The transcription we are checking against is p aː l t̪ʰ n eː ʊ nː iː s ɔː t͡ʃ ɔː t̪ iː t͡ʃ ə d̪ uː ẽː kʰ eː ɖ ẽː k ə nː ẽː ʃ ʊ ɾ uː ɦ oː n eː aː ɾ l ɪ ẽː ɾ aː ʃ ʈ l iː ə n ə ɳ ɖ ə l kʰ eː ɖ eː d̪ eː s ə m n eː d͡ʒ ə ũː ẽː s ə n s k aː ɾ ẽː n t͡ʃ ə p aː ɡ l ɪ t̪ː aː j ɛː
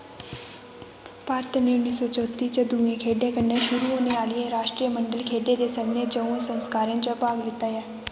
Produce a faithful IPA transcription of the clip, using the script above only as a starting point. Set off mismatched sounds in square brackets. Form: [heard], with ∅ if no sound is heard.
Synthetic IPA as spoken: p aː [ɾ] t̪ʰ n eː ʊ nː iː s ɔː t͡ʃ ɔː t̪ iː t͡ʃ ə d̪ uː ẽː kʰ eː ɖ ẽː k ə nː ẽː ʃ ʊ ɾ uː ɦ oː n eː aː [∅] l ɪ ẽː ɾ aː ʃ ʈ [ɾ] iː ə [m] ə ɳ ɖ ə l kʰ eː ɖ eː d̪ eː s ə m n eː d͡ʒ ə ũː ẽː s ə n s k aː ɾ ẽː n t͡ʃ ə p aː ɡ l ɪ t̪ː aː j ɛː